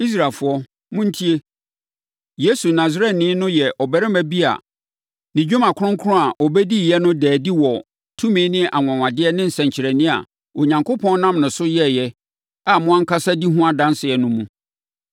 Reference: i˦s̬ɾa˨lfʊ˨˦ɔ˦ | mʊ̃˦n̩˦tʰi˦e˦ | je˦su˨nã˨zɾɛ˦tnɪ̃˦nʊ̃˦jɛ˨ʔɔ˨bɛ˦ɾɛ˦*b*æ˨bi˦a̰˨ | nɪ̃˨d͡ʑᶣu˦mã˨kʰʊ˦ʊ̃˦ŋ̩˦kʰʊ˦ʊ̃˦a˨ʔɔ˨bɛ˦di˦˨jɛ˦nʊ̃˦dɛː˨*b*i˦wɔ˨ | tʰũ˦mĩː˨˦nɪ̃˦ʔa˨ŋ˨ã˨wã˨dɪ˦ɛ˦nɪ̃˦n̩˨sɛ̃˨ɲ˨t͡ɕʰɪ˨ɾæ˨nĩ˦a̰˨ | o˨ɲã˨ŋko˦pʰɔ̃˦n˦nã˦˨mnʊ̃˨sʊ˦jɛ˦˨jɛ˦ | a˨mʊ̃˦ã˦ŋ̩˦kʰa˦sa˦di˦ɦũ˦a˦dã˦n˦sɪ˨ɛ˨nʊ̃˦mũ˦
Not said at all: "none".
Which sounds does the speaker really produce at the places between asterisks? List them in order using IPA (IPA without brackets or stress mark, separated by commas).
m, d